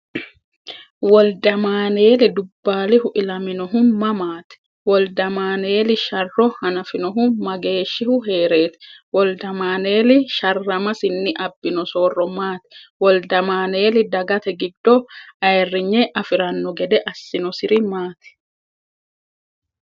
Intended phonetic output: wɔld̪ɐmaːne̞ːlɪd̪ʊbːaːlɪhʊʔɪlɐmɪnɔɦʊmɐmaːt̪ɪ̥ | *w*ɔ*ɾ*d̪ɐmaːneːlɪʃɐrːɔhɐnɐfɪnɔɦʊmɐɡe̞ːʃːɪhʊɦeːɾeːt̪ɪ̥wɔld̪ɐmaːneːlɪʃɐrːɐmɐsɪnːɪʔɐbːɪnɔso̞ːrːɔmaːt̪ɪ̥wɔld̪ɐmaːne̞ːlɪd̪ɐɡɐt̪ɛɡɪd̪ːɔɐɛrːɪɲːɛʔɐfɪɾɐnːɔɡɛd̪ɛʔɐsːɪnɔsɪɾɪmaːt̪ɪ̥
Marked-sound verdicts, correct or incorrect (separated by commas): correct, incorrect